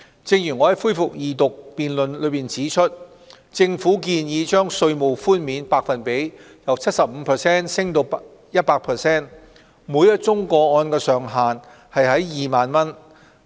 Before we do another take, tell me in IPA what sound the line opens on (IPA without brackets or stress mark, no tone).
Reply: t͡s